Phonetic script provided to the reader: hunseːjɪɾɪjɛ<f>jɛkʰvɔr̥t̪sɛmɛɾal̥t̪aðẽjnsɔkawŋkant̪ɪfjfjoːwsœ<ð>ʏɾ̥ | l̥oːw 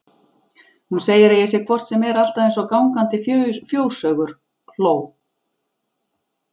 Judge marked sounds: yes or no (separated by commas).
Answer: no, no